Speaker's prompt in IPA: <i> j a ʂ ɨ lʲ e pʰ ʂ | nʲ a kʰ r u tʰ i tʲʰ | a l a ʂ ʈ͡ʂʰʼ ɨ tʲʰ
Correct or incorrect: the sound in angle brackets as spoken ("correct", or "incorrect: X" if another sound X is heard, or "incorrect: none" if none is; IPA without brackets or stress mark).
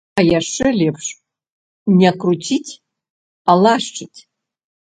incorrect: a